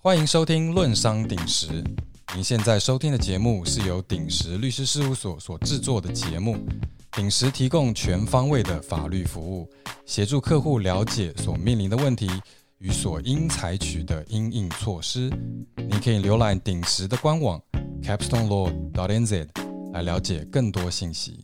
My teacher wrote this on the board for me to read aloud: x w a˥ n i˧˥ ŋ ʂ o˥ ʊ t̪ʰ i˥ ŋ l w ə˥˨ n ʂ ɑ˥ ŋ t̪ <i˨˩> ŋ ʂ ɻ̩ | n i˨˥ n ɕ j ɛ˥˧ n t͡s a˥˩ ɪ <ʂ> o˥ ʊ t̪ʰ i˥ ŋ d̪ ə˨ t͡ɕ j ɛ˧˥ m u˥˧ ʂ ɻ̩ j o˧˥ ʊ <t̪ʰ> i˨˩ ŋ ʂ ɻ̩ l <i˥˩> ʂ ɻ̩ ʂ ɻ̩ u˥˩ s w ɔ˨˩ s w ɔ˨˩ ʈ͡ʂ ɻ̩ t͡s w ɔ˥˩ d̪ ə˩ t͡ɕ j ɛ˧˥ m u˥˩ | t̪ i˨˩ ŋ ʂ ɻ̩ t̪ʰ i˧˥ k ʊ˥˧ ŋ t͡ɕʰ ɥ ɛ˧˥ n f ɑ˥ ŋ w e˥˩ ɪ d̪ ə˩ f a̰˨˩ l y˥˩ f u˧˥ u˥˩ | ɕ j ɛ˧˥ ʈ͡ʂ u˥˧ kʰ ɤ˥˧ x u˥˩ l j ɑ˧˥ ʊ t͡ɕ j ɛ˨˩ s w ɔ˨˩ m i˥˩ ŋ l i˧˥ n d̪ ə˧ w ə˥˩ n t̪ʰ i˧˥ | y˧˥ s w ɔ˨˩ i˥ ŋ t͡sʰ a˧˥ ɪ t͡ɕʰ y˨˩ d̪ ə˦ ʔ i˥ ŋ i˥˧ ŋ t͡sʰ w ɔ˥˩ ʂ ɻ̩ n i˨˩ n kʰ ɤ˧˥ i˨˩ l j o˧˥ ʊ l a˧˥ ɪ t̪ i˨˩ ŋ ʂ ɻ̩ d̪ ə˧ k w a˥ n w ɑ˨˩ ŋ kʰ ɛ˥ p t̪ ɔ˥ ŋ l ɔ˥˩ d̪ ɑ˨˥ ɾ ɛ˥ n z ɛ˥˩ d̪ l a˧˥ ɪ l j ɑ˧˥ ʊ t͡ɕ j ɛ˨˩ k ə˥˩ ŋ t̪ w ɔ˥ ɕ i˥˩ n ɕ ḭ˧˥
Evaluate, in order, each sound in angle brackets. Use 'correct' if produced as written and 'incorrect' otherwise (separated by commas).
correct, correct, incorrect, incorrect